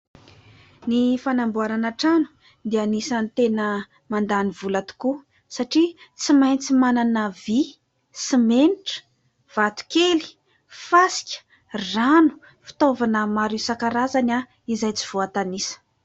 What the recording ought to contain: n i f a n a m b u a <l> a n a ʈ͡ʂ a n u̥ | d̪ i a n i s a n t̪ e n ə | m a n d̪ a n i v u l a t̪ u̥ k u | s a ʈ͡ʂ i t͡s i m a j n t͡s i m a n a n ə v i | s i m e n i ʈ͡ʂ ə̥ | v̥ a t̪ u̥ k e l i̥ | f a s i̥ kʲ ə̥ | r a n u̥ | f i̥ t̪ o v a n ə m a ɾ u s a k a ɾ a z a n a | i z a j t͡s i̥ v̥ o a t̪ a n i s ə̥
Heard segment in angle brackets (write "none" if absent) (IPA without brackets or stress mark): ɾ